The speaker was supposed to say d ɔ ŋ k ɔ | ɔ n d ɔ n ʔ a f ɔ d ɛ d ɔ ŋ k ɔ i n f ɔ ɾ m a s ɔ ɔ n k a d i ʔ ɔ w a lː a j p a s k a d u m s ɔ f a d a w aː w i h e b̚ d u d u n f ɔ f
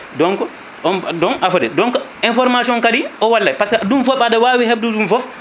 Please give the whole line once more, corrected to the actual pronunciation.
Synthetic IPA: d ɔ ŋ k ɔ | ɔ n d ɔ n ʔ a f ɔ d ɛ d ɔ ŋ k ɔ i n f ɔ ɾ m a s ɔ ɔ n k a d i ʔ ɔ w a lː a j p a s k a d u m f ɔ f a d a w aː w i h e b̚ d u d u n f ɔ f